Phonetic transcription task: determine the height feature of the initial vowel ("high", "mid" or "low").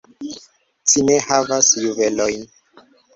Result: high